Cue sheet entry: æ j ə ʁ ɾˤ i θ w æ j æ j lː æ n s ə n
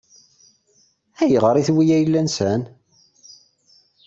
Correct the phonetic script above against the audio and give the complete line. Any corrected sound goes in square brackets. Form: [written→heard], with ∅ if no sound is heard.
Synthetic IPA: æ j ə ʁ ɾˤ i θ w [æ→i] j æ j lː æ n s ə n